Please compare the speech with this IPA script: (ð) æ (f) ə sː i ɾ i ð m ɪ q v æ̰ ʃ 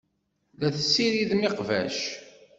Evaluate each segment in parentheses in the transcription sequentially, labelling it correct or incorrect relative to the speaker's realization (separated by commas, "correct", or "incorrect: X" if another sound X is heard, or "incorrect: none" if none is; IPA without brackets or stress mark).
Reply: correct, incorrect: θ